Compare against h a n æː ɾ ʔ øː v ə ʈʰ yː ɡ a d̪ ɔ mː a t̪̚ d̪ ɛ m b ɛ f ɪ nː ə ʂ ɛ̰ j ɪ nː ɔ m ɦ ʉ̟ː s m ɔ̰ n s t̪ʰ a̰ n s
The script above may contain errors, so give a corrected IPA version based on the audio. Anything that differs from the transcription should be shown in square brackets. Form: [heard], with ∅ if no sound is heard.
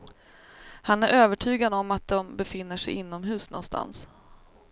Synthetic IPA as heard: h a n [æ] ɾ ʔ øː v ə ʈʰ yː ɡ a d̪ ɔ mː a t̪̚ d̪ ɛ m b ɛ f ɪ nː ə ʂ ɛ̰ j ɪ nː ɔ m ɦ ʉ̟ː s [n] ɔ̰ n s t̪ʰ a̰ n s